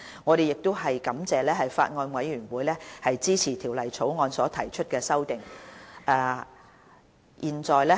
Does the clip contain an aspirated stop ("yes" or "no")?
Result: yes